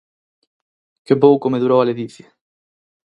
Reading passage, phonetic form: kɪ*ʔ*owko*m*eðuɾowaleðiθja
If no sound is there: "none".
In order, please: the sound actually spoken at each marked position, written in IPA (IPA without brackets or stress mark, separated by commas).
p, m